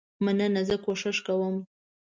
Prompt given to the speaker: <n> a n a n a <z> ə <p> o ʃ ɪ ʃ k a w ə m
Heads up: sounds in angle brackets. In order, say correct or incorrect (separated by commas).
incorrect, correct, incorrect